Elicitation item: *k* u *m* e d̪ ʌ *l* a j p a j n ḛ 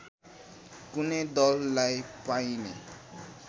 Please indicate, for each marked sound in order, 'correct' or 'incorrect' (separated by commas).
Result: correct, incorrect, incorrect